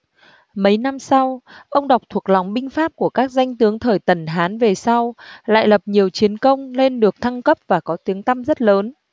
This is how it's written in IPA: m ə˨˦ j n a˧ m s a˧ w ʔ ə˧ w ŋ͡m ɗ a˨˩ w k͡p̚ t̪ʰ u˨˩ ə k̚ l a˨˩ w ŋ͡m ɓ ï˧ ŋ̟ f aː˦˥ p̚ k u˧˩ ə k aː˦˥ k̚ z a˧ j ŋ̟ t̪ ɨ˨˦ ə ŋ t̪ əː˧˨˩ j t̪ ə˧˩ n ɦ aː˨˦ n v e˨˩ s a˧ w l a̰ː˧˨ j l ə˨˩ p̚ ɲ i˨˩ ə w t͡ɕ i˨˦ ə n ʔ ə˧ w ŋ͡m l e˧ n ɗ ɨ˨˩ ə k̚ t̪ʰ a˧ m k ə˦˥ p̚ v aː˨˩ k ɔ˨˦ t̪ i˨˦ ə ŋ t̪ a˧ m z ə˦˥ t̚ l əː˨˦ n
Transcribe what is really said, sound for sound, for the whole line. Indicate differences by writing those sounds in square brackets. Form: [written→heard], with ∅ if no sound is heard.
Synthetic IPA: m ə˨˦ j n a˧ m s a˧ w ʔ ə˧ w ŋ͡m ɗ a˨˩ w k͡p̚ t̪ʰ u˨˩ ə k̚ l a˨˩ w ŋ͡m ɓ ï˧ ŋ̟ f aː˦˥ p̚ k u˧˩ ə k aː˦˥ k̚ z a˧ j ŋ̟ t̪ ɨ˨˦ ə ŋ [t̪→t̪ʰ] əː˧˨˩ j t̪ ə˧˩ n ɦ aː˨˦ n v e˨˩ s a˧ w l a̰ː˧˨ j l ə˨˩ p̚ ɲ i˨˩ ə w t͡ɕ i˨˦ ə n [ʔ→k] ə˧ w ŋ͡m l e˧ n ɗ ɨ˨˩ ə k̚ t̪ʰ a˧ [m→ŋ] k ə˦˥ p̚ v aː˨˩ k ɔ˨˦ t̪ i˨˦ ə ŋ t̪ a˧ m z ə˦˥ t̚ l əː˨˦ n